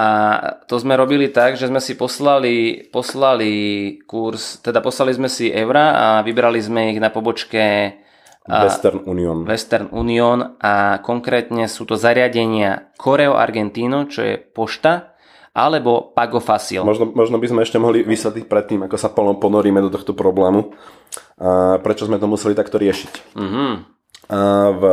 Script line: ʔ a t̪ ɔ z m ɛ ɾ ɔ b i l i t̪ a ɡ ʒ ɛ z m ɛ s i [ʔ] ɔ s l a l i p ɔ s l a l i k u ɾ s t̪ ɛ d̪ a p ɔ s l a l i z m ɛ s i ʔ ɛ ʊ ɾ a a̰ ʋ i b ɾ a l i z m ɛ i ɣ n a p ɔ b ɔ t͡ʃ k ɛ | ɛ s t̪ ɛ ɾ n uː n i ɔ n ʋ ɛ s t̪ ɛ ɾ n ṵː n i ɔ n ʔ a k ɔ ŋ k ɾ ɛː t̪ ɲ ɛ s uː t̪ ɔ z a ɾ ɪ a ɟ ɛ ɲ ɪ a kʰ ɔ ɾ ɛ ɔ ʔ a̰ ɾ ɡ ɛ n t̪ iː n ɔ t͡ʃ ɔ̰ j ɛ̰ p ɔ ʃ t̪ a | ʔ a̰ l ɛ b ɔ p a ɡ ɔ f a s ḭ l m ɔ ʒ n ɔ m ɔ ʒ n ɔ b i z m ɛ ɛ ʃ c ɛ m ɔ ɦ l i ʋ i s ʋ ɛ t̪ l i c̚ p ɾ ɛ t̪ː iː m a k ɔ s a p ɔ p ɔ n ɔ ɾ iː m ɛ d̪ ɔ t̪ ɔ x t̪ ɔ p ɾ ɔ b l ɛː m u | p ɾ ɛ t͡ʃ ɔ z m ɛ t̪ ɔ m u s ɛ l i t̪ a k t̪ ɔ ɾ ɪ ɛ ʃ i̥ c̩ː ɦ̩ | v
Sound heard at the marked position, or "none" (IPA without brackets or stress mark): p